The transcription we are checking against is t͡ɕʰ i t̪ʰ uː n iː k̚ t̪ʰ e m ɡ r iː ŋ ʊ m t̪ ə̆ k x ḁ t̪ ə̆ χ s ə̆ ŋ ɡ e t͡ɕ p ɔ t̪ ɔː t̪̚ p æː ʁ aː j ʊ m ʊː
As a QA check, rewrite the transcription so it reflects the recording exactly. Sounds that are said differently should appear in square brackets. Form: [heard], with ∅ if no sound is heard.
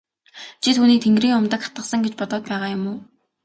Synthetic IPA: t͡ɕʰ i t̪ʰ uː n iː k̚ t̪ʰ e [ŋ] ɡ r iː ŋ ʊ m t̪ ə̆ k [χ] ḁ t̪ ə̆ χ s ə̆ ŋ ɡ e t͡ɕ p ɔ t̪ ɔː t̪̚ p æː ʁ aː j ʊ m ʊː

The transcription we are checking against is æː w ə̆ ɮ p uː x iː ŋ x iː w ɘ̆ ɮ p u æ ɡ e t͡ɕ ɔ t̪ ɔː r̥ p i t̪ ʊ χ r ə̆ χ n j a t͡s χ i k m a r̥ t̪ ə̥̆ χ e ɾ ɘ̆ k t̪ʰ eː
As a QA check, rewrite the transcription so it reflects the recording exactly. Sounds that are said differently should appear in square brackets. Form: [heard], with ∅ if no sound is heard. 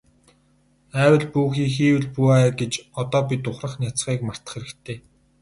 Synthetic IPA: æː w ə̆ ɮ p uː x iː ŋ x iː w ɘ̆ ɮ p u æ ɡ e t͡ɕ ɔ t̪ ɔː [∅] p i t̪ ʊ χ r ə̆ χ n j a t͡s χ [iː] k m a r̥ t̪ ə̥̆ χ e ɾ ɘ̆ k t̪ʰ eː

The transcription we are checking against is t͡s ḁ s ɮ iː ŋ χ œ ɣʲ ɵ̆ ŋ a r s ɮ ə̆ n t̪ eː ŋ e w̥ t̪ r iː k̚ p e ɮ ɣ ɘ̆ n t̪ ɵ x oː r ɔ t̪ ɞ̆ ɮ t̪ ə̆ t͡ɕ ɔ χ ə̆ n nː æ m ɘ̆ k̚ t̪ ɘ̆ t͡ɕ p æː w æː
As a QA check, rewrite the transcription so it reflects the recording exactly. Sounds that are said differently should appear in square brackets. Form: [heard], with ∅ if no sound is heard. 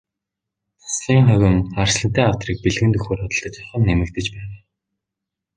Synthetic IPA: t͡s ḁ s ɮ iː ŋ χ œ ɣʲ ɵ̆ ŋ a r s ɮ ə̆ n t̪ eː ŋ [a] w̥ t̪ r iː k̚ p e ɮ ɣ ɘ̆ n t̪ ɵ x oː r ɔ t̪ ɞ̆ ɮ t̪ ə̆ t͡ɕ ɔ χ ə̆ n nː [e] m ɘ̆ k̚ t̪ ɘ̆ t͡ɕ p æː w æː

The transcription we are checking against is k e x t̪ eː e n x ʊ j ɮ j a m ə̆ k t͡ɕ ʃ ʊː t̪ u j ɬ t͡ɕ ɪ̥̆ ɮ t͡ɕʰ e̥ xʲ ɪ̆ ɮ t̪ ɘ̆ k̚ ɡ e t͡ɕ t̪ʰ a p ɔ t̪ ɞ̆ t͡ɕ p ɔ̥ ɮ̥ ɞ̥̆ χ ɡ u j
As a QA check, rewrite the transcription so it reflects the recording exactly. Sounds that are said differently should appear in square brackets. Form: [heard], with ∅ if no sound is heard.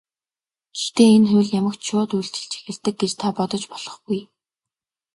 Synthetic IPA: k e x t̪ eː e n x ʊ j ɮ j a m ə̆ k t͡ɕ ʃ ʊː t̪ u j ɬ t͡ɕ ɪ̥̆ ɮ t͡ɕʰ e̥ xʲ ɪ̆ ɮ t̪ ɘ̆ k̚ ɡ e t͡ɕ t̪ʰ a p ɔ t̪ ɞ̆ t͡ɕ p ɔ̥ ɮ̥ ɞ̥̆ χ ɡ u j

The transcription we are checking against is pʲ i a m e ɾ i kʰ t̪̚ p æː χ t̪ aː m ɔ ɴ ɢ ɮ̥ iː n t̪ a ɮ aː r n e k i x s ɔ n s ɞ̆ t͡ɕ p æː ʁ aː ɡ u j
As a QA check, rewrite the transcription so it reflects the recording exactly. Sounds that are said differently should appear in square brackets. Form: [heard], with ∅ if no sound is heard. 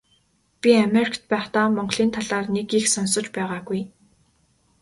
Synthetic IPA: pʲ i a m e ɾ i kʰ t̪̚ p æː χ t̪ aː m ɔ ɴ ɢ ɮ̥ iː n [t̪ʰ] a ɮ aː r n e k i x s ɔ n s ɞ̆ t͡ɕ p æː ʁ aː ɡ u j

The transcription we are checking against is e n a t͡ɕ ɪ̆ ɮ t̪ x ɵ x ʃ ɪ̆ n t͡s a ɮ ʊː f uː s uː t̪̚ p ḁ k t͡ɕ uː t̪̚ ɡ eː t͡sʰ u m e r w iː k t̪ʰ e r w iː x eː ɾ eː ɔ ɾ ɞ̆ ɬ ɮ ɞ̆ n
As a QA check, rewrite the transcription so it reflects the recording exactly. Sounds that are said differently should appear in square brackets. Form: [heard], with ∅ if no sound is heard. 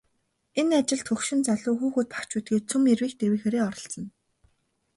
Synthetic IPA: e n a t͡ɕ ɪ̆ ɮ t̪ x ɵ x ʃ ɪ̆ n t͡s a ɮ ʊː [x] uː [x] uː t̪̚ p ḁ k t͡ɕ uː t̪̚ ɡ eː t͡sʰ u m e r w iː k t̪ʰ e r w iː x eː ɾ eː ɔ ɾ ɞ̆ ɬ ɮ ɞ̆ n

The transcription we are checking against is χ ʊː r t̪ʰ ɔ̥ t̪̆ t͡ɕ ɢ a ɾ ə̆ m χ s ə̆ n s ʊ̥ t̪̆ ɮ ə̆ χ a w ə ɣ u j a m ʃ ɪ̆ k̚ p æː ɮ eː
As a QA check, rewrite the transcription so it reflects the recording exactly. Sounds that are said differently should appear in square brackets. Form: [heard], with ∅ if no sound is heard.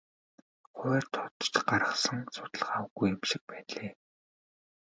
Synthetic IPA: χ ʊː r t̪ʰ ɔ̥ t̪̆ t͡ɕ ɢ a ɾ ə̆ [∅] χ s ə̆ [ŋ] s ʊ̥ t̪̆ ɮ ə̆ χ a w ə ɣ u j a m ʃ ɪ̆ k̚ p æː ɮ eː

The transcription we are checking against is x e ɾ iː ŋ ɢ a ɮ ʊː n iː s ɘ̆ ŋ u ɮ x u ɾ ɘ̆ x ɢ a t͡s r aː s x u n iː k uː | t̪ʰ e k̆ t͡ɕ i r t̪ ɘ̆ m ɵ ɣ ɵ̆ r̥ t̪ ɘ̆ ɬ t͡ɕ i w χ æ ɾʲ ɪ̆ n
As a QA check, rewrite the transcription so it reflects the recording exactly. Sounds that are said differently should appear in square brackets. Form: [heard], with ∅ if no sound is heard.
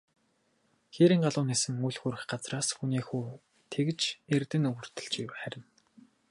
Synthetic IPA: x e ɾ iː ŋ ɢ a ɮ ʊː n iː s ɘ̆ ŋ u ɮ x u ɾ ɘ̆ x ɢ a t͡s r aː s x u n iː [x] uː | t̪ʰ e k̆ t͡ɕ [e] r t̪ ɘ̆ [n] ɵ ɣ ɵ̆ r̥ t̪ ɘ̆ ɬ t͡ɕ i w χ æ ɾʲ ɪ̆ n

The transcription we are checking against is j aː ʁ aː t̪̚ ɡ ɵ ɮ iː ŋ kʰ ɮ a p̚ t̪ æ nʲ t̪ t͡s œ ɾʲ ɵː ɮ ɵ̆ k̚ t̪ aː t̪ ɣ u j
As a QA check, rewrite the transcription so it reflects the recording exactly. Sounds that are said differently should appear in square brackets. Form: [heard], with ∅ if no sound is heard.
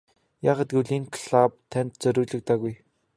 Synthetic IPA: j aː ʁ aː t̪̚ ɡ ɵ ɮ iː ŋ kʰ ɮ a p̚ [t̪ʰ] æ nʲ t̪ t͡s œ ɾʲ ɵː ɮ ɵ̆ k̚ t̪ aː [∅] ɣ u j

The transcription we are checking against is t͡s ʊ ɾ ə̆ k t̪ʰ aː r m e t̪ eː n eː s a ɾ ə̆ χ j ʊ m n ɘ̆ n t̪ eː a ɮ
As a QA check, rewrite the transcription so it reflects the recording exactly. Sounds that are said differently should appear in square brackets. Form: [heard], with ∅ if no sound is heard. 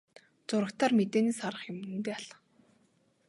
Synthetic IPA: t͡s ʊ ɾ ə̆ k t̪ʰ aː r m e t̪ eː n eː s a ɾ ə̆ χ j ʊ m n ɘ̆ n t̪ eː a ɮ

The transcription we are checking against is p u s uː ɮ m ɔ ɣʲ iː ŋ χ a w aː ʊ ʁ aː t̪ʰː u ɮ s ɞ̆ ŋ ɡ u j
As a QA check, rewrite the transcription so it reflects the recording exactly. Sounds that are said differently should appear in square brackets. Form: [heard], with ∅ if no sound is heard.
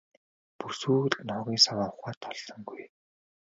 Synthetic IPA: p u s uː ɮ [n] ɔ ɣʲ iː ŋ [s] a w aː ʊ [χ] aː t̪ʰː [ɔ] ɮ s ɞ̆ ŋ ɡ u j

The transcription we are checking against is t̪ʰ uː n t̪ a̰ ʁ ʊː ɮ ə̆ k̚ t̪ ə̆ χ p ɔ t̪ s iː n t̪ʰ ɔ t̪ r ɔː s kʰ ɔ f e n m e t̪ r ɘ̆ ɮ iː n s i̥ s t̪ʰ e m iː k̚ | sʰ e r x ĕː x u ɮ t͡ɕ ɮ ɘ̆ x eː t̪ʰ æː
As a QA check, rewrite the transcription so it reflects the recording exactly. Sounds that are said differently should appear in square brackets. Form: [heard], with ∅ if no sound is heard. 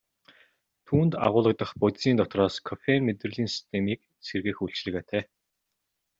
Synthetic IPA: t̪ʰ uː n t̪ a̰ ʁ ʊː ɮ ə̆ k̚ t̪ ə̆ χ p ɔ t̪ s iː n [t̪] ɔ t̪ r ɔː s kʰ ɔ f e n m e t̪ r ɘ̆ ɮ iː n s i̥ s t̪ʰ e m iː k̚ | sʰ e r [ɣ] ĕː x u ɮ t͡ɕ ɮ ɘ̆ [ɣ] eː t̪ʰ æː

